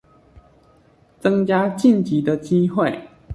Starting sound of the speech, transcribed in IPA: t͡s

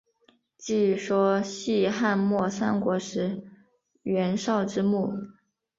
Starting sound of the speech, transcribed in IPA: t͡ɕ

